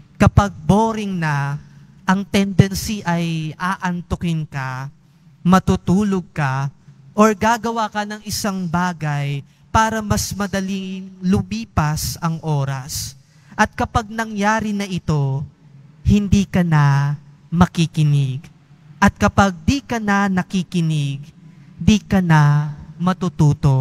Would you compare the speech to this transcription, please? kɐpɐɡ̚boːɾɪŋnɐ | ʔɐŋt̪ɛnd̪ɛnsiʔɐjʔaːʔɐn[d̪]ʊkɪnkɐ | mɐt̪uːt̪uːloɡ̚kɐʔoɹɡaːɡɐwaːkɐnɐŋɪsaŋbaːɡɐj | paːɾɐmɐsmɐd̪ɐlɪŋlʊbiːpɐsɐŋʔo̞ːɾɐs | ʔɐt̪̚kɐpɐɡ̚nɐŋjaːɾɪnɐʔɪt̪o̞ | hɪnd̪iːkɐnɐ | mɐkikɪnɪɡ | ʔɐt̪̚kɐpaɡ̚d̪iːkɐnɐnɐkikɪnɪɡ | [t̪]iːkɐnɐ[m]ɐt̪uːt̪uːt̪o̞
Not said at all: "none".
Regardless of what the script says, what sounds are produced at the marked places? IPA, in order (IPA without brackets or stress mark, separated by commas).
t̪, d̪, m